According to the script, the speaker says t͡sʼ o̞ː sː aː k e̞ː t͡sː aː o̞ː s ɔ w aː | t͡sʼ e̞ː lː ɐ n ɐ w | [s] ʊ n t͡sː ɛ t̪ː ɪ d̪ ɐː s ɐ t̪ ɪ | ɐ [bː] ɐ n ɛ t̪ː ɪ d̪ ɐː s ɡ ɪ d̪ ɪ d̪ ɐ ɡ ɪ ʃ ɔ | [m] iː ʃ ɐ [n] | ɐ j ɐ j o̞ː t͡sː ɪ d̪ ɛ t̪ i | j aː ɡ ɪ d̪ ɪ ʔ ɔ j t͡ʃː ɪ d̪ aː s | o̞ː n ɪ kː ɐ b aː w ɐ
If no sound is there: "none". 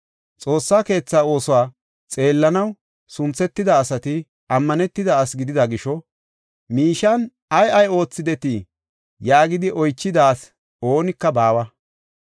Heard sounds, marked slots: s, mː, m, n

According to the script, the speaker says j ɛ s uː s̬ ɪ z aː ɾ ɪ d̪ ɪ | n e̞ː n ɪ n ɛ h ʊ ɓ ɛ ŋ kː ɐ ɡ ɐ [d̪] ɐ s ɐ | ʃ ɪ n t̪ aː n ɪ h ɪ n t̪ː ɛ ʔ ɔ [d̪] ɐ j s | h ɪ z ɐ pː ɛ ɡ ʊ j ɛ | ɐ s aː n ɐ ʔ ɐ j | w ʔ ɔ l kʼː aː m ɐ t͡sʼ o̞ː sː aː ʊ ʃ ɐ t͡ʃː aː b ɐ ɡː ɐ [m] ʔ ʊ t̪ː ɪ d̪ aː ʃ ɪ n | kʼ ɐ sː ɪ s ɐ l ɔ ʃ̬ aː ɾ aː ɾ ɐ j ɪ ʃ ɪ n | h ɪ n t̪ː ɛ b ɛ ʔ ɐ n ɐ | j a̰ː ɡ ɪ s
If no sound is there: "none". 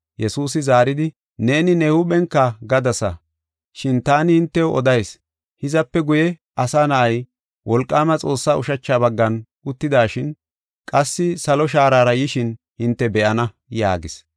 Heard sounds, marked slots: d̪, d̪, n

